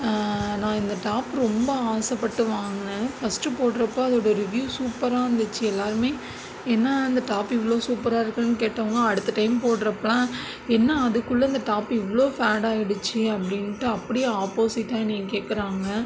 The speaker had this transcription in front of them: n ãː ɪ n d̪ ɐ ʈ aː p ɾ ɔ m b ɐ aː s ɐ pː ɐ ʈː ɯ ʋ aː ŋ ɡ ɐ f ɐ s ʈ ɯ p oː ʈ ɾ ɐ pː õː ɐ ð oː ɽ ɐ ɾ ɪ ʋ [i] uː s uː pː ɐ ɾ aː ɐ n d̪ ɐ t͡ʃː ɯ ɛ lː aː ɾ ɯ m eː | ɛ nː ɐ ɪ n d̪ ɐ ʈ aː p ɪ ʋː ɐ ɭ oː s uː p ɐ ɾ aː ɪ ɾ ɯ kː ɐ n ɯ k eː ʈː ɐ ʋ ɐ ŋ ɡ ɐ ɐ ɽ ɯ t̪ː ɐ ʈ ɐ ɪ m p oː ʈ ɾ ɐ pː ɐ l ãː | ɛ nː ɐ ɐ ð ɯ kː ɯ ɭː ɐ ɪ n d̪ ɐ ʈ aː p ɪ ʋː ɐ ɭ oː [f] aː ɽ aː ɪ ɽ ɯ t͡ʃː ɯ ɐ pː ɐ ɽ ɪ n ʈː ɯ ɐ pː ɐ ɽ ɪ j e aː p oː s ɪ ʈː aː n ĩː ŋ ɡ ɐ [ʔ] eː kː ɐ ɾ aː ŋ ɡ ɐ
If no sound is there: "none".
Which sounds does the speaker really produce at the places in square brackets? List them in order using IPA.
j, f, k

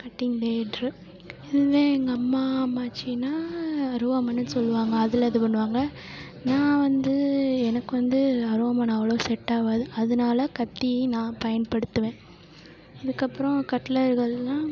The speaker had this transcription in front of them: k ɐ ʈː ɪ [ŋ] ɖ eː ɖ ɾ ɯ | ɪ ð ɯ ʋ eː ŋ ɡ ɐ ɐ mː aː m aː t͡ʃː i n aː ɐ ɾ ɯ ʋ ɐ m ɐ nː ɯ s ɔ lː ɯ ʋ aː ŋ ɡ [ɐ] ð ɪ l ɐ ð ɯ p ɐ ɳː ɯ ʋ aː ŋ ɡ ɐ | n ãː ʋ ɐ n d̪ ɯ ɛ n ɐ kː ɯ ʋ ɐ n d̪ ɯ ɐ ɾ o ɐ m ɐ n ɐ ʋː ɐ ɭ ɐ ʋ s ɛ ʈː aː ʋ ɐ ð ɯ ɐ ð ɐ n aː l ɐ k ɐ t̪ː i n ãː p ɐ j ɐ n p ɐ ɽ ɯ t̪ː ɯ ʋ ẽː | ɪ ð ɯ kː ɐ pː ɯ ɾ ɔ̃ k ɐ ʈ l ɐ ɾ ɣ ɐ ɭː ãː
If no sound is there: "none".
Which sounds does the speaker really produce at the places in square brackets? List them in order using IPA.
ŋ, ɐː

